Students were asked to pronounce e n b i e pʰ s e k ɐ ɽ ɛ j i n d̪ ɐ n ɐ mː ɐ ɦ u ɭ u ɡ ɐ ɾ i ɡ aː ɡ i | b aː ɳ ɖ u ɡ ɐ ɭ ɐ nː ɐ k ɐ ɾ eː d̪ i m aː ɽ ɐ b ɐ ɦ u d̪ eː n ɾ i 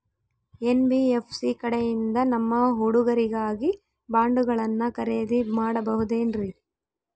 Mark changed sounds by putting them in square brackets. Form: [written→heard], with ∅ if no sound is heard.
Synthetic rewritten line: e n b i e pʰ s [e→i] k ɐ ɽ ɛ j i n d̪ ɐ n ɐ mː ɐ ɦ u [ɭ→ɽ] u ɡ ɐ ɾ i ɡ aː ɡ i | b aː ɳ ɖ u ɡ ɐ ɭ ɐ nː ɐ k ɐ ɾ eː d̪ i m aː ɽ ɐ b ɐ ɦ u d̪ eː n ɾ i